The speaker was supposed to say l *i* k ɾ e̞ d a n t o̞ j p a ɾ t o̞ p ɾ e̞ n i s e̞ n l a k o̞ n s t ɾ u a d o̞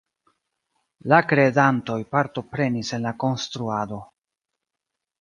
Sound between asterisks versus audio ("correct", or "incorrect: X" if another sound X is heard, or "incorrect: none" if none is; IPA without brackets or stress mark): incorrect: a